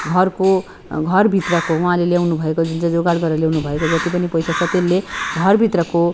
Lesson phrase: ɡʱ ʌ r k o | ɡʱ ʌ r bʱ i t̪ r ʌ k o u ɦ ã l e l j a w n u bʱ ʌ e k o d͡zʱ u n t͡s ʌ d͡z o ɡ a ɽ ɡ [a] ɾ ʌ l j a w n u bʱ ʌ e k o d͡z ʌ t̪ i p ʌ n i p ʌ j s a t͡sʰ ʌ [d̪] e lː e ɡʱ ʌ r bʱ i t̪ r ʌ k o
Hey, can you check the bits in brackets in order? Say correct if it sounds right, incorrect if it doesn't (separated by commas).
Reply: incorrect, incorrect